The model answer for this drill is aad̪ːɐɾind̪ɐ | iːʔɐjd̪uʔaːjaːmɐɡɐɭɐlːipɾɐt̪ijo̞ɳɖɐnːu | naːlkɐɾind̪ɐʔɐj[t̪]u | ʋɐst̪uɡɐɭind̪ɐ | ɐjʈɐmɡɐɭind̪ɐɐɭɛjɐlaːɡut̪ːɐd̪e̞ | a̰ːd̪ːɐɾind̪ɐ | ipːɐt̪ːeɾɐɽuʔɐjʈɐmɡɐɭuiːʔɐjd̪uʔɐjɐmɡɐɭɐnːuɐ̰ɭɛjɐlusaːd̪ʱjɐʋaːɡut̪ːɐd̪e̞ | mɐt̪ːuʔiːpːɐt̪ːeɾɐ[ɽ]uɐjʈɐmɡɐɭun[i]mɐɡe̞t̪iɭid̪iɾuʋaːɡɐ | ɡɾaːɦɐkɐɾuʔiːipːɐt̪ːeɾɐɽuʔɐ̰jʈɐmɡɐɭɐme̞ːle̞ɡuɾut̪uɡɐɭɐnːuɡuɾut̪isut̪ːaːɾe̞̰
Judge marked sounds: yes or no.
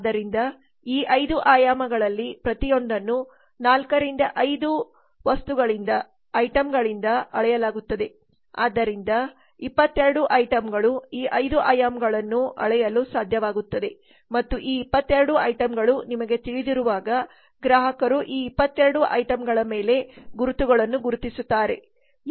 no, yes, yes

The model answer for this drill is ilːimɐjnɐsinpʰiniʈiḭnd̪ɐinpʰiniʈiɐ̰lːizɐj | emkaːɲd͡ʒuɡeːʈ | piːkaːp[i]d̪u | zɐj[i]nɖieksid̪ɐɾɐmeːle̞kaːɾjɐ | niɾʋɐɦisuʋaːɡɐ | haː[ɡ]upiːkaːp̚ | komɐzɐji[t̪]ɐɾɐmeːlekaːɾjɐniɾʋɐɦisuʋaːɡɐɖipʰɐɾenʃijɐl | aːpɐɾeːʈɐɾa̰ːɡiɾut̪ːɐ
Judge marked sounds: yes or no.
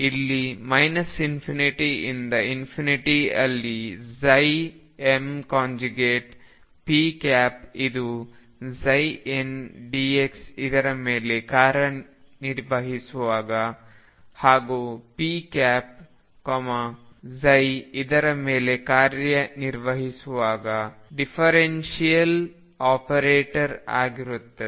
yes, no, yes, no

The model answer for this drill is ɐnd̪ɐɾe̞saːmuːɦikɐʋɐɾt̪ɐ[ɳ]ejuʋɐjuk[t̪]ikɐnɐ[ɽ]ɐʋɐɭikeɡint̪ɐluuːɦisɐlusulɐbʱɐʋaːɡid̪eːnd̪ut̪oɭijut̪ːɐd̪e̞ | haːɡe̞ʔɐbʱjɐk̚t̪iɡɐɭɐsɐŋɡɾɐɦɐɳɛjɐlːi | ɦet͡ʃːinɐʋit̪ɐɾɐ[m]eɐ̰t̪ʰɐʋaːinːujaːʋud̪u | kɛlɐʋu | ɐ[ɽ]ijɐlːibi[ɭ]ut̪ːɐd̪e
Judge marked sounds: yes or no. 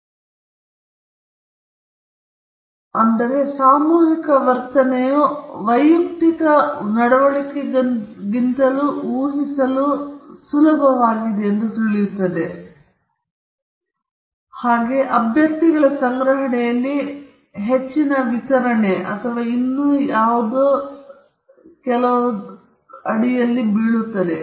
no, yes, yes, no, yes, yes

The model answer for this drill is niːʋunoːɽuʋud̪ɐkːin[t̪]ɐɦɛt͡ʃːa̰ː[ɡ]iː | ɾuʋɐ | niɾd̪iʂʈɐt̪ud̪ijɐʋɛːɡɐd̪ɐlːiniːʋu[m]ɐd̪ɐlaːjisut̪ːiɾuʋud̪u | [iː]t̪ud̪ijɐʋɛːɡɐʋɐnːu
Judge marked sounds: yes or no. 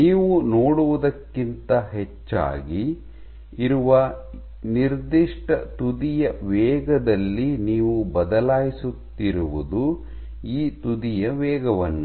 yes, yes, no, yes

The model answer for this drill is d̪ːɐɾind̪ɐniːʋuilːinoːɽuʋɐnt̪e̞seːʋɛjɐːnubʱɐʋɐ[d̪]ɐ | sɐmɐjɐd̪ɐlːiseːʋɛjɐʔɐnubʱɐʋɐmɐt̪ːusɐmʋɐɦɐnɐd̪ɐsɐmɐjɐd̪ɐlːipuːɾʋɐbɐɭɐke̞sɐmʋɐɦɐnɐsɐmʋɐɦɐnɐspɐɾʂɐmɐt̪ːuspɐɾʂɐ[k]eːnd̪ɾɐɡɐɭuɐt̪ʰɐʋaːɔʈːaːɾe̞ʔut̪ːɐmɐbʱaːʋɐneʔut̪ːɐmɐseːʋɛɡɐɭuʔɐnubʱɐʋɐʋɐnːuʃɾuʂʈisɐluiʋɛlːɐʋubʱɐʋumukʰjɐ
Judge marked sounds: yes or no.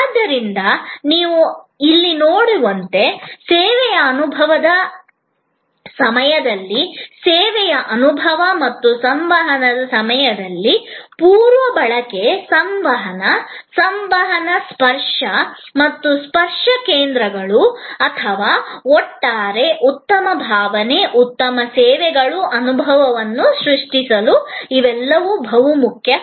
yes, yes

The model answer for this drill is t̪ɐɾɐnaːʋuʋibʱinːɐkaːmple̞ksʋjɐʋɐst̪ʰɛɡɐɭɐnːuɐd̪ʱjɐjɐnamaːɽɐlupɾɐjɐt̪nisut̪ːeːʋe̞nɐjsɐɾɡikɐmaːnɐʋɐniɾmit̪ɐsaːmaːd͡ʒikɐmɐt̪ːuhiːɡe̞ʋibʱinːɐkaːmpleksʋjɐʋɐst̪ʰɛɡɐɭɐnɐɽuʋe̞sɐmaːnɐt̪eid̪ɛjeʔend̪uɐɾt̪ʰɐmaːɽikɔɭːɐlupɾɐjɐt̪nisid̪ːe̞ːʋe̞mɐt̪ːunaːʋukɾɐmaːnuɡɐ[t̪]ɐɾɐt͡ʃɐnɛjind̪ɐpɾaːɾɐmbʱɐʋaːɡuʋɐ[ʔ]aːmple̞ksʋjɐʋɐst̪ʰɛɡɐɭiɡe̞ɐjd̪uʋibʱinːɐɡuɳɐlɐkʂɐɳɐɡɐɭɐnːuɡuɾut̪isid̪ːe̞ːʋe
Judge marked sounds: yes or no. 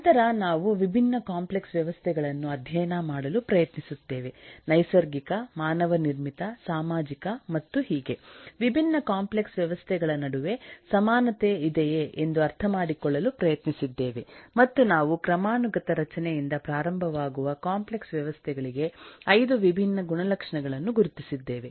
yes, no

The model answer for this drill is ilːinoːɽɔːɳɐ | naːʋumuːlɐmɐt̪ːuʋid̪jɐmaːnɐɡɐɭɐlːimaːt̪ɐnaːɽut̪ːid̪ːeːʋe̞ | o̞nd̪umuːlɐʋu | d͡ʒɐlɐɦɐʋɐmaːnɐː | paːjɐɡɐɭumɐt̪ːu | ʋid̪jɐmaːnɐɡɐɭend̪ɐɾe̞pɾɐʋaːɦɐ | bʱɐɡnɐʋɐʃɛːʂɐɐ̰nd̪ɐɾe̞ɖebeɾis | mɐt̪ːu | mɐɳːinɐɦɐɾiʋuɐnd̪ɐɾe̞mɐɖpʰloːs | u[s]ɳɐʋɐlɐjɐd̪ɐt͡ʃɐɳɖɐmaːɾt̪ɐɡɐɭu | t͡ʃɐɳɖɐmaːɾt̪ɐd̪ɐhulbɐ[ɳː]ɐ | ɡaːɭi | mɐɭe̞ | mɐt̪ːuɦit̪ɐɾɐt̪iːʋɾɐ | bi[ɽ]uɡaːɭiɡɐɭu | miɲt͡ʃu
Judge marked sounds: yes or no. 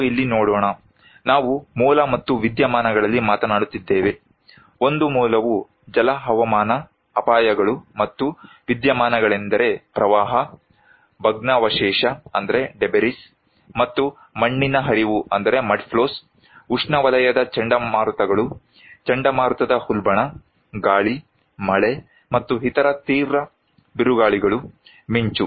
no, no, no

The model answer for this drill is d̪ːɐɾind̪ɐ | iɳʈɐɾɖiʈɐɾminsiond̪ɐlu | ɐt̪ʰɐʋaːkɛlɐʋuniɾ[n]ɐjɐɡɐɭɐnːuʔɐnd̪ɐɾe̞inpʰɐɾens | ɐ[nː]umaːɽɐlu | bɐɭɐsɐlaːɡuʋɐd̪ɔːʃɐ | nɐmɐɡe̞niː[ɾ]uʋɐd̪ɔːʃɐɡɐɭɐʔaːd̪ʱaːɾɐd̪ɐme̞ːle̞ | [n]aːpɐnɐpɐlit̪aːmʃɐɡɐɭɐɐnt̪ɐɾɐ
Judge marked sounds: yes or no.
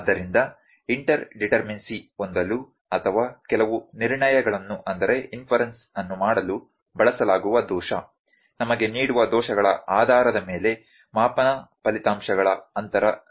no, yes, no, no

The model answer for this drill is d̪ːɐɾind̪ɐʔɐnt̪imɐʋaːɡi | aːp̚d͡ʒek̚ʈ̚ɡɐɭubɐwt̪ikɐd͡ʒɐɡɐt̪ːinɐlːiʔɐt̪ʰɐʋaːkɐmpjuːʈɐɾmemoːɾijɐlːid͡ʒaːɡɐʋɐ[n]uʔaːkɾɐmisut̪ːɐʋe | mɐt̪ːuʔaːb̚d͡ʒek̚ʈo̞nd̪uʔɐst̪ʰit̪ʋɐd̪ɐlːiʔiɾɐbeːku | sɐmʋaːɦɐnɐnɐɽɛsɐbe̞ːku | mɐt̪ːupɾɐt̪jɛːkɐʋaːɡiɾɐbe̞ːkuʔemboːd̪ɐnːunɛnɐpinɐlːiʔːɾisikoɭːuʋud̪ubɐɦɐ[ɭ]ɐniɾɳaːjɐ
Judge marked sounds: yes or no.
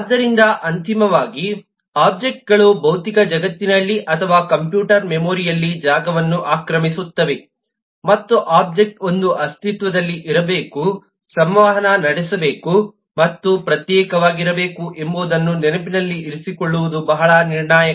no, yes

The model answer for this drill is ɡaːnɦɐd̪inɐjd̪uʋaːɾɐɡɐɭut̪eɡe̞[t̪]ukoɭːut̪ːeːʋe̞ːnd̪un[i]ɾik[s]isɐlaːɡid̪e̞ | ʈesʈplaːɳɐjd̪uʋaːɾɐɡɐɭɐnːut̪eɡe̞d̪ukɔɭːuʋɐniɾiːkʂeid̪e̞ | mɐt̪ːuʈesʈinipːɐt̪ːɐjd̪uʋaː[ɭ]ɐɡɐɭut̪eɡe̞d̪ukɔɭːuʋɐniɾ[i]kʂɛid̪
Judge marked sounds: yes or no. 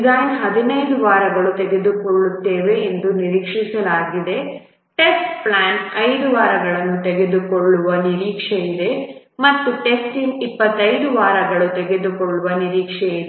no, yes, no, no, no

